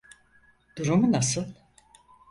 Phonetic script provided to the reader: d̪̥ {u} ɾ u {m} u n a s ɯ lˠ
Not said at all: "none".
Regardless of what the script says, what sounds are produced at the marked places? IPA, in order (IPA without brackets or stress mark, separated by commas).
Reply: u, m